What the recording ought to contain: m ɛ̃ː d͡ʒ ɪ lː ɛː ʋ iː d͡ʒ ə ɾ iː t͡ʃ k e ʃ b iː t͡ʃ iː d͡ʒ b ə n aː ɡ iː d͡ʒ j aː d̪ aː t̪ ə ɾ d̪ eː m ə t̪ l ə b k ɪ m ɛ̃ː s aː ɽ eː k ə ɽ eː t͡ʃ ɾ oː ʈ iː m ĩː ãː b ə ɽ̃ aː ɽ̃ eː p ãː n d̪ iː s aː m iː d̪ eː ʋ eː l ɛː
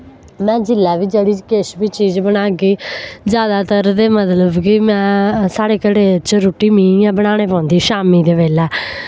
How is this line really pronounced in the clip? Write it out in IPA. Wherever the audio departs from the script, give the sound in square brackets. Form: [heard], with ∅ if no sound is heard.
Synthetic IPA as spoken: m ɛ̃ː d͡ʒ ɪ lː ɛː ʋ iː d͡ʒ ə [ɽ] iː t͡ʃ k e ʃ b iː t͡ʃ iː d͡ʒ b ə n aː ɡ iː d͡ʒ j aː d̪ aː t̪ ə ɾ d̪ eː m ə t̪ l ə b k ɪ m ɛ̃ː s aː ɽ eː k ə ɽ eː t͡ʃ ɾ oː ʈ iː m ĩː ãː b ə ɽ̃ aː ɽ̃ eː p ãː n d̪ iː [ʃ] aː m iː d̪ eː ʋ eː l ɛː